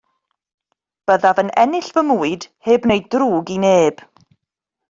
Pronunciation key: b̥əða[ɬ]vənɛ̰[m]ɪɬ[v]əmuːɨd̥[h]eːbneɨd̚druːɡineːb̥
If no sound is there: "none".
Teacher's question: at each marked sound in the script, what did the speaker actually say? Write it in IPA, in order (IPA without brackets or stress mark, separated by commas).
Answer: none, n, v, h